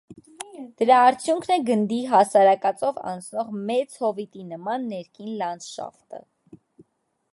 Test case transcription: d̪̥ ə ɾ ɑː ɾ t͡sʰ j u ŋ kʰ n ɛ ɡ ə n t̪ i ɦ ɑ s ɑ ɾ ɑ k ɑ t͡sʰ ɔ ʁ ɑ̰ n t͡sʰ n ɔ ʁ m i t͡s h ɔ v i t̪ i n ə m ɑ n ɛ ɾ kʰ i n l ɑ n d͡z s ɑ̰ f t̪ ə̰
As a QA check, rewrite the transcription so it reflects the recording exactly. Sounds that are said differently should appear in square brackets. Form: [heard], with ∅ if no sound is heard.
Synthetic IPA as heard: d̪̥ ə ɾ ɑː ɾ t͡sʰ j u ŋ kʰ n ɛ ɡ ə n [d̪] i ɦ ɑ s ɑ ɾ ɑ k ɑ [t͡s] ɔ [v] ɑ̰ n t͡sʰ n ɔ ʁ m [ɛ] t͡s h ɔ v i t̪ i n ə m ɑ [nː] ɛ ɾ kʰ i n l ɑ n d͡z [ʃ] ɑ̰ f t̪ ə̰